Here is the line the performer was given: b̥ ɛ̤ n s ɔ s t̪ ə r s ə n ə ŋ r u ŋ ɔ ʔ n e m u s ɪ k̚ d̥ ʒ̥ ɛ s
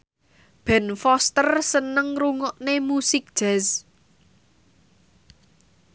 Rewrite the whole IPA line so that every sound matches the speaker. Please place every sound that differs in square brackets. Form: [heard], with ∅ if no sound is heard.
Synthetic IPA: b̥ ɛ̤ n [f] ɔ s t̪ ə r s ə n ə ŋ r u ŋ ɔ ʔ n e m u s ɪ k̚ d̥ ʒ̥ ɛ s